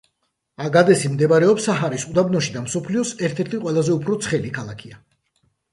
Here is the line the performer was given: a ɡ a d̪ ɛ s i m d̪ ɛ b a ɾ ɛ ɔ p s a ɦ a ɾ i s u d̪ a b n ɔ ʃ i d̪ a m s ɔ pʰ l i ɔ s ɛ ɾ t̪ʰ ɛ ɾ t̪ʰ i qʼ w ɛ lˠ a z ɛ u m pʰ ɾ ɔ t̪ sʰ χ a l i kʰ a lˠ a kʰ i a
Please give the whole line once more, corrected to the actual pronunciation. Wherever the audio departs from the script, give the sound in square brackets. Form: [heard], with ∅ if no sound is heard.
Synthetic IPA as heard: a ɡ a d̪ ɛ s i m d̪ ɛ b a ɾ ɛ ɔ p s a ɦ a ɾ i s u d̪ a b n ɔ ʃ i d̪ a m s ɔ pʰ l i ɔ s ɛ ɾ t̪ʰ ɛ ɾ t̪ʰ i qʼ w ɛ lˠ a z ɛ u [∅] pʰ ɾ ɔ t̪ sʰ χ [ɛ] l i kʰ a lˠ a kʰ i a